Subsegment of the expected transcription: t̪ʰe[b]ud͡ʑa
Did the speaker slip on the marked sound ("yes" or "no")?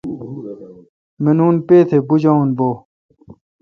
no